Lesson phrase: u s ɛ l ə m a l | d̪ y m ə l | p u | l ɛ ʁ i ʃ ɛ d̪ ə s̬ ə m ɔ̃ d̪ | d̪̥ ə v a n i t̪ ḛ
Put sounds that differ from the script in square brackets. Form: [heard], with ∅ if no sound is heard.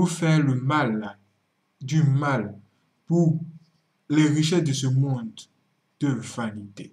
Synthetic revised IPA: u [f] ɛ l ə m a l | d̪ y m [a] l | p u | l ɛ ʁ i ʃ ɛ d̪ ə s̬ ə m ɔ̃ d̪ | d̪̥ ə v a n i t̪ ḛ